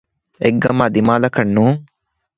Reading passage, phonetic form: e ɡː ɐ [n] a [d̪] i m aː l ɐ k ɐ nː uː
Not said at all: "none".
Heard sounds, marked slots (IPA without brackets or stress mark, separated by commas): m, d̪